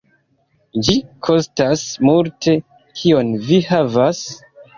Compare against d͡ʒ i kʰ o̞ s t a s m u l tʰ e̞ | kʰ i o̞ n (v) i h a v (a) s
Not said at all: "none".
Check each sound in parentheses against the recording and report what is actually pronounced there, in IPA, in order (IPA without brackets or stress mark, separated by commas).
v, a